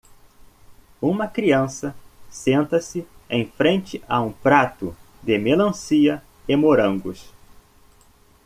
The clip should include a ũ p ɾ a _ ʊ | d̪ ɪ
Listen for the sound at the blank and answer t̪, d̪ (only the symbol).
t̪